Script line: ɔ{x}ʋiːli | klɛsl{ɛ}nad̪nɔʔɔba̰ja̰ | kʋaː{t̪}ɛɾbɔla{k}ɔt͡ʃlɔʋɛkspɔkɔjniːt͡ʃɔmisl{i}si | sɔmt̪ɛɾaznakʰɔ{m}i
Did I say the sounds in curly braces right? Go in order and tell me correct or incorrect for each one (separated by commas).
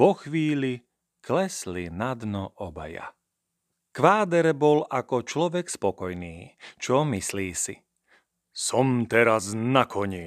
correct, incorrect, incorrect, correct, incorrect, incorrect